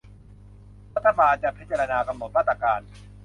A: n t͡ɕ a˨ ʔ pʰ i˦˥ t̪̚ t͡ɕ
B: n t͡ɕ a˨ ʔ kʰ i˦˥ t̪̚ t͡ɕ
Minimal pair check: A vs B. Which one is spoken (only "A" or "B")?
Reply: A